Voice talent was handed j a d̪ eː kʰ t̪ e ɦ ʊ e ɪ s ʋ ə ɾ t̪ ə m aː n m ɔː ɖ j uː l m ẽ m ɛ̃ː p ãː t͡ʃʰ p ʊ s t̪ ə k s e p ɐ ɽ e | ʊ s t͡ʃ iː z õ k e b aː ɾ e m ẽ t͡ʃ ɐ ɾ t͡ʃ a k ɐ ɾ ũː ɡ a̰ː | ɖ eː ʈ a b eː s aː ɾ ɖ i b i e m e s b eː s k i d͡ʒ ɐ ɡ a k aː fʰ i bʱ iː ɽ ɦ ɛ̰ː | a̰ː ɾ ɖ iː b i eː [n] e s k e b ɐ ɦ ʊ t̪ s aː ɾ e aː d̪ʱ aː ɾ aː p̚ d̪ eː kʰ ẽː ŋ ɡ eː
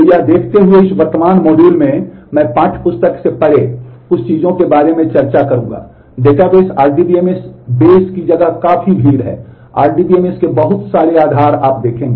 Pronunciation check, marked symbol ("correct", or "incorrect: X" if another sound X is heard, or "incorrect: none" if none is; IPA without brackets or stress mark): incorrect: m